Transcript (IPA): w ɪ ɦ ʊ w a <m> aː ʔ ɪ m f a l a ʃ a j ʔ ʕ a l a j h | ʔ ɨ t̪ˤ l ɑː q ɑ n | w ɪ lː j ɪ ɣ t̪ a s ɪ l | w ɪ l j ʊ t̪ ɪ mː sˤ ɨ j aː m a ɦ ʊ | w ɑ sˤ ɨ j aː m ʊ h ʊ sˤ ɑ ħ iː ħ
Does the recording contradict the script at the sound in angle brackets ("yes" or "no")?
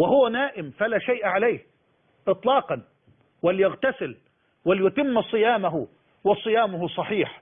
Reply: yes